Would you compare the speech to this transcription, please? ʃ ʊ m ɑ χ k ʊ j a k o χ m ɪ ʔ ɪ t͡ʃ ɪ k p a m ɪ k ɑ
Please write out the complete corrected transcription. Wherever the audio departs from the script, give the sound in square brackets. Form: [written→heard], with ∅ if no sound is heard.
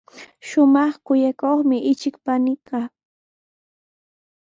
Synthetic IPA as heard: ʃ ʊ m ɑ χ k ʊ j a k o χ m ɪ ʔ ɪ t͡ʃ ɪ k p a [m→n] ɪ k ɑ

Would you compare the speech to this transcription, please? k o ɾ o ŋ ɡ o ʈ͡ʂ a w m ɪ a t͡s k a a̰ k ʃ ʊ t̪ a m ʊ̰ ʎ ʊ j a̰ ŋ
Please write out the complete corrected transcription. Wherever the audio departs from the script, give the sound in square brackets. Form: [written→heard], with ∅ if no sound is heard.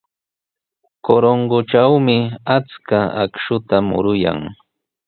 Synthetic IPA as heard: k o ɾ o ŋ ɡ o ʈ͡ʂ a w m ɪ a t͡s k a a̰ k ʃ ʊ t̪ a m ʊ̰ [ʎ→ɾ] ʊ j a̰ ŋ

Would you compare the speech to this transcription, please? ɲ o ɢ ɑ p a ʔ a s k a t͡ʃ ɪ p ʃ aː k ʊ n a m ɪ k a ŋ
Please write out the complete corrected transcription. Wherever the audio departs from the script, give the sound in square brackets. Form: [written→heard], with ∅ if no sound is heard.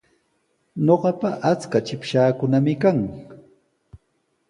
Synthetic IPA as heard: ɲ o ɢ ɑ p a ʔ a [s→t͡s] k a t͡ʃ ɪ p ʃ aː k ʊ n a m ɪ k a ŋ

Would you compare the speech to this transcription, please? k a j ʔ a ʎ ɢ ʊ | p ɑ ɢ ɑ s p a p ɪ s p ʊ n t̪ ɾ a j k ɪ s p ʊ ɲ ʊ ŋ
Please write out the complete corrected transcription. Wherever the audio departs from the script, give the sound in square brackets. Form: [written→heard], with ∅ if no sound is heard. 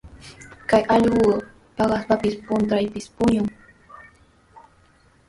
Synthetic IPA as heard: k a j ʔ [a→ɑ] ʎ ɢ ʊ | p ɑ ɢ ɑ s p a p ɪ s p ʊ n t̪ ɾ a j [k→p] ɪ s p ʊ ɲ ʊ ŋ

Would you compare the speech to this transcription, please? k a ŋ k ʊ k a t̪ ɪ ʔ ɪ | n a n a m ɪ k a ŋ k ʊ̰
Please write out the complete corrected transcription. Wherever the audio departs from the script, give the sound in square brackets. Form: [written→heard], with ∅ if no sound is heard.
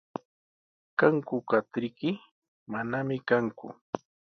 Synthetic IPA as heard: k a ŋ k ʊ k a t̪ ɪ [ʔ→k] ɪ | [n→m] a n a m ɪ k a ŋ k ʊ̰

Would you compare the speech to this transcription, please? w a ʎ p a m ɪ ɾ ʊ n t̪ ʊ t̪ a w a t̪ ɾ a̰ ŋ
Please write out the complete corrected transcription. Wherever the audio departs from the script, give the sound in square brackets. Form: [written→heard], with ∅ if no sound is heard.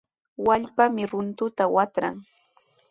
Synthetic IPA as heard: w a ʎ p a m ɪ ɾ ʊ n t̪ ʊ t̪ a w a t̪ ɾ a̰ ŋ

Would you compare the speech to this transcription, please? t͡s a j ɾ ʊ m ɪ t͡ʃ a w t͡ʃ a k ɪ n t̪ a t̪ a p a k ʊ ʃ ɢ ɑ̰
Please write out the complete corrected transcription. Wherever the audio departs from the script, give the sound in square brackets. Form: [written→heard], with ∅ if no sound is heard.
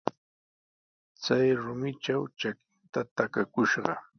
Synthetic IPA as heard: t͡s a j ɾ ʊ m ɪ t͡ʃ a w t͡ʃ a k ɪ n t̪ a t̪ a [p→k] a k ʊ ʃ ɢ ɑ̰

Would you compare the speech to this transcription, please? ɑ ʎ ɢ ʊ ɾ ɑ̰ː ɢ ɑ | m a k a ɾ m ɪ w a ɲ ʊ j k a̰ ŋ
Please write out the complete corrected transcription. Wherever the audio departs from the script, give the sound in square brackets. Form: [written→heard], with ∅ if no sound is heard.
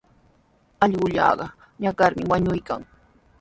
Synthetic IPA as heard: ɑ ʎ ɢ ʊ [ɾ→ʎ] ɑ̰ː ɢ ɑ | [m→ɲ] a k a ɾ m ɪ w a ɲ ʊ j k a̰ ŋ

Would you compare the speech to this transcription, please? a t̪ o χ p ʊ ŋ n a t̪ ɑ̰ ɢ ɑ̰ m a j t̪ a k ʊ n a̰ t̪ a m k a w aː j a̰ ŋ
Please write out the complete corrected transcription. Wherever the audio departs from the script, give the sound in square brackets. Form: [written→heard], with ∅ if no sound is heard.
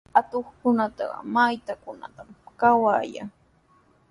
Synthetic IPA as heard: a t̪ o χ [p→k] ʊ [ŋ→∅] n a t̪ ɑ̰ ɢ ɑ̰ m a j t̪ a k ʊ n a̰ t̪ a m k a w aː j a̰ ŋ

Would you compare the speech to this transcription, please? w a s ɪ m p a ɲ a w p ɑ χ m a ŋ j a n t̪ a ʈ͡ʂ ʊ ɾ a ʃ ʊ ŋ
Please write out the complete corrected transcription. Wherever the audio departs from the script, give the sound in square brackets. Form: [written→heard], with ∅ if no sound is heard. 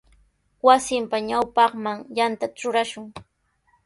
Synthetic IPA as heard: w a s ɪ m p a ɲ a w p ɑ χ m a ŋ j a n t̪ a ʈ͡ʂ ʊ ɾ a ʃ ʊ ŋ

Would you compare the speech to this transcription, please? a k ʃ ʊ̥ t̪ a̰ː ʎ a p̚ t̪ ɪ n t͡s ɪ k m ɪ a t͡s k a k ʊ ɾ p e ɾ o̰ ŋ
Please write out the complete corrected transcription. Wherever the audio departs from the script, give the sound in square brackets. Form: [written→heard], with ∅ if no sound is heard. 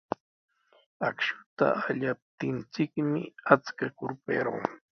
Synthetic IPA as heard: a k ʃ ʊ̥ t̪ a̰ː ʎ a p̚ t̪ ɪ n t͡s ɪ k m ɪ a t͡s k a k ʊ ɾ p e ɾ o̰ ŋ

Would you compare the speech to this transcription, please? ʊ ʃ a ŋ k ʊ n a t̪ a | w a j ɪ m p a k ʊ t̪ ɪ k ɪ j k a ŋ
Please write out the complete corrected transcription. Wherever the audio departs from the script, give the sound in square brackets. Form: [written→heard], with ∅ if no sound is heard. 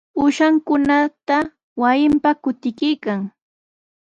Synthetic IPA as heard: ʊ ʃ a ŋ k ʊ n a t̪ a | w a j ɪ m p a k ʊ t̪ ɪ k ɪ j k a ŋ

